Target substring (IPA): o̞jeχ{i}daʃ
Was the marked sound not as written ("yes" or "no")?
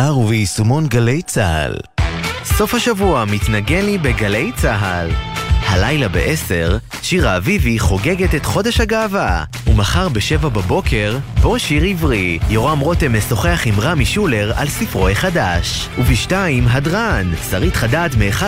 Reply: yes